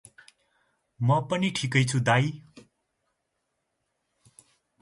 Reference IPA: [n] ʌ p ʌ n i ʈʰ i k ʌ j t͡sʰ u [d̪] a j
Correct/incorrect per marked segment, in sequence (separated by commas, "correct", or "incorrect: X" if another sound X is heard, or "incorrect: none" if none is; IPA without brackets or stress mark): incorrect: m, correct